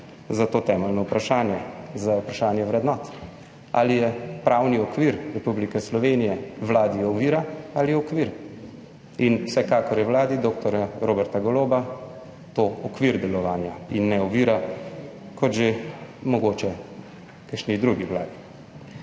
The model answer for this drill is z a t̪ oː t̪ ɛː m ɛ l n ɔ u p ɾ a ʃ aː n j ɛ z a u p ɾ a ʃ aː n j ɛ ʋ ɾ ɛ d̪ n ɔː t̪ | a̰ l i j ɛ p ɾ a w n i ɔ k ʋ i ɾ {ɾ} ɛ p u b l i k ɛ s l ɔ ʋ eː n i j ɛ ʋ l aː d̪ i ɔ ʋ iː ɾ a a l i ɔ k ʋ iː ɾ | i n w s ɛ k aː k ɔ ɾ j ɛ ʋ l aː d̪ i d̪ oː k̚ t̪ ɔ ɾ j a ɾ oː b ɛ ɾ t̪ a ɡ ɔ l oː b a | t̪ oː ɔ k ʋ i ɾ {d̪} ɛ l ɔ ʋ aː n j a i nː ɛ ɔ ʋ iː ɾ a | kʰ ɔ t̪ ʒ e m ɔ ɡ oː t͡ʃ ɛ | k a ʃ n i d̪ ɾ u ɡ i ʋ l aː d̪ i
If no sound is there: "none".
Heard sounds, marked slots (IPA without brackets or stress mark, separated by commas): ɾ, d̪